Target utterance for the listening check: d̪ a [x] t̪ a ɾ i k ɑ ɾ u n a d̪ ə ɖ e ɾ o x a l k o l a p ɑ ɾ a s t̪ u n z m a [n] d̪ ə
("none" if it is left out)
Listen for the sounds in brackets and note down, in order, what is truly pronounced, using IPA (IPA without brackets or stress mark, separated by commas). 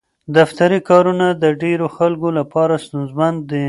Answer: f, n